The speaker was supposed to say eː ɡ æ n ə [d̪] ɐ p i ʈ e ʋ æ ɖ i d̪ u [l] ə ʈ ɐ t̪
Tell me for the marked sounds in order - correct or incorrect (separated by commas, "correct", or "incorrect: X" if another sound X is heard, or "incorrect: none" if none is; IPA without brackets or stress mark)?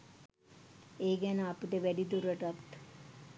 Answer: incorrect: none, incorrect: ɾ